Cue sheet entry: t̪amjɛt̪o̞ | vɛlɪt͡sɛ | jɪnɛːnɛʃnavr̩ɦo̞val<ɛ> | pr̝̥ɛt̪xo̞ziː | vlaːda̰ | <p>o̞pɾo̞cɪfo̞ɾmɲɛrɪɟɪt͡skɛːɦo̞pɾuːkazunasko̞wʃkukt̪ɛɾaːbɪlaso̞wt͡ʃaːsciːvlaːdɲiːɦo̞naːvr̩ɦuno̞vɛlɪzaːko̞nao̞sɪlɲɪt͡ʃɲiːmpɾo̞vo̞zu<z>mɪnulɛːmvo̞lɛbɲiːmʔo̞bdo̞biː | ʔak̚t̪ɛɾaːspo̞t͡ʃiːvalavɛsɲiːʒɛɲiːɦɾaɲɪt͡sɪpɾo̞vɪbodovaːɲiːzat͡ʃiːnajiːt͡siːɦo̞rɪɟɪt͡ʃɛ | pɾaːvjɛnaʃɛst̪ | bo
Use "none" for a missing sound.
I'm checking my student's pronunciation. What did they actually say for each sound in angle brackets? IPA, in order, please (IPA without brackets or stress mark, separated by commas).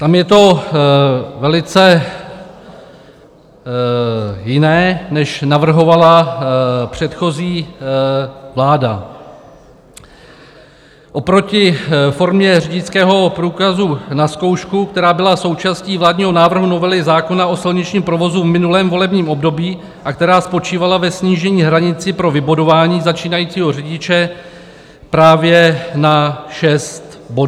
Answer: a, ʔ, v